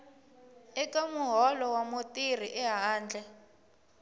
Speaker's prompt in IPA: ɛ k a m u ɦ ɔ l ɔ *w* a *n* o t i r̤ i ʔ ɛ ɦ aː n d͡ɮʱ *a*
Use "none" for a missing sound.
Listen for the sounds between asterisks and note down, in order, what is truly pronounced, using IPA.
w, m, ɛ

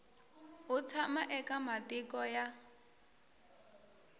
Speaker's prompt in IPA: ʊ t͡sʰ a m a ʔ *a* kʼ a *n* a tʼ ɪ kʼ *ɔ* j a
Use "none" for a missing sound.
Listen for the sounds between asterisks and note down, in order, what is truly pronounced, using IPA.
ɛ, m, ɔ

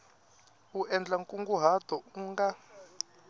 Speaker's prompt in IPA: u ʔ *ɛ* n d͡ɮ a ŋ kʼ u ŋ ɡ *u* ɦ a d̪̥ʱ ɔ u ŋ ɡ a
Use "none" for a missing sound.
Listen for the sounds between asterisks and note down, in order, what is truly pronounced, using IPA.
ɛ, u

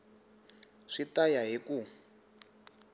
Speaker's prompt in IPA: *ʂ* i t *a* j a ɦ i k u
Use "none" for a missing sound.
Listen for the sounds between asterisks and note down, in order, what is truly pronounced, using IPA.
ʂ, a

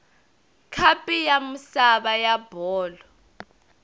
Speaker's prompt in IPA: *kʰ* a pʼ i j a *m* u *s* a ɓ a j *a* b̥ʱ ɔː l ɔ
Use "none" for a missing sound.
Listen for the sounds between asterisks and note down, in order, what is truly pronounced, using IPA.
kʰ, m, s, a

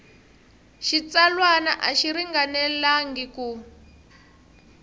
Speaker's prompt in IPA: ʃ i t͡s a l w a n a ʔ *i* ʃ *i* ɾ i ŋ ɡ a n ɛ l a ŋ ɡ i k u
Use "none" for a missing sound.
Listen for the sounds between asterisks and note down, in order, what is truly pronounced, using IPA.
a, i

